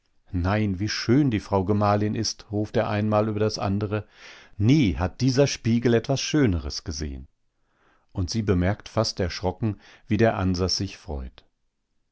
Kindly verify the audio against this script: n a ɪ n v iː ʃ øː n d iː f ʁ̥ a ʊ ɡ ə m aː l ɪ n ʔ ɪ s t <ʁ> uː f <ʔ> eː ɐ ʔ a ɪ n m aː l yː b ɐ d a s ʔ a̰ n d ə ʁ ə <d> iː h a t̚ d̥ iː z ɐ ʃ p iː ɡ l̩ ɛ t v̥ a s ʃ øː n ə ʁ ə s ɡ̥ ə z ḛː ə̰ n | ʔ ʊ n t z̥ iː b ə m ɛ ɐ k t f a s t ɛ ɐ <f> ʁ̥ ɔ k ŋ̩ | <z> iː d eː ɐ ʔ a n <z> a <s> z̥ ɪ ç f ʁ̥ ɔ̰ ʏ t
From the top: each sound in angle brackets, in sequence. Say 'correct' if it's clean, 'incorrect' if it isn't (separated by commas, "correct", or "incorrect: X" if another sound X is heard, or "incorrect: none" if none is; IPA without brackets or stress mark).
correct, incorrect: t, incorrect: n, incorrect: ʃ, incorrect: v, correct, correct